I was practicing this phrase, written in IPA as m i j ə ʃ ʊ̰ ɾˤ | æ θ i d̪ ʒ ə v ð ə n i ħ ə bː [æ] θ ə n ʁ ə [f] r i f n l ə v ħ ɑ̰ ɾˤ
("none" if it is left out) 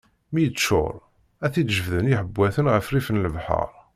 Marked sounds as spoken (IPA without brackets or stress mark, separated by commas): æ, f